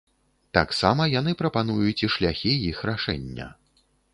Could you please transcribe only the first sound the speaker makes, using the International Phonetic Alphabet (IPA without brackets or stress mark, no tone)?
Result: t̪